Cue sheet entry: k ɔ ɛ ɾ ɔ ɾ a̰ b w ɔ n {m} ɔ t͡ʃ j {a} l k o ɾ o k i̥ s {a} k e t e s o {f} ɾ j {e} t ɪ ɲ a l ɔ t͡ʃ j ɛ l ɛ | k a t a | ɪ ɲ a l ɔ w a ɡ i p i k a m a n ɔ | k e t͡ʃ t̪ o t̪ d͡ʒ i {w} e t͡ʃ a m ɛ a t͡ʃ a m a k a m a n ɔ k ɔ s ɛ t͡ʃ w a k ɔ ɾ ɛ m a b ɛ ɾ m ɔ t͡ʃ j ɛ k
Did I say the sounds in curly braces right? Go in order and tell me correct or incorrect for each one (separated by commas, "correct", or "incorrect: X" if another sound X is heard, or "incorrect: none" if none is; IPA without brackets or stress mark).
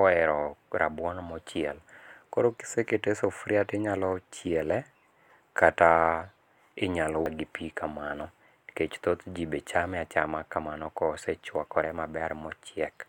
correct, incorrect: ɛ, incorrect: e, correct, incorrect: a, incorrect: b